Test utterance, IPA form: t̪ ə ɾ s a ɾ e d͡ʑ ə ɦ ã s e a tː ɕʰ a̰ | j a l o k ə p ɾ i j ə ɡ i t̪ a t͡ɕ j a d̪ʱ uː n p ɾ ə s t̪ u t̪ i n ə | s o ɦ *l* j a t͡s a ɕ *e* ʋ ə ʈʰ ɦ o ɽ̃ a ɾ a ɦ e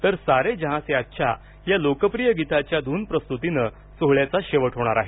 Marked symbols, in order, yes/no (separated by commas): no, yes